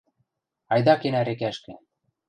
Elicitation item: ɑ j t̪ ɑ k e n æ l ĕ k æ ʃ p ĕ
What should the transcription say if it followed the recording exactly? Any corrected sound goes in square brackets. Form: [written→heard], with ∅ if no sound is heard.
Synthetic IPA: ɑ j [t̪→d̪] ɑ k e n æ [l→ɾ] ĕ k æ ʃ [p→k] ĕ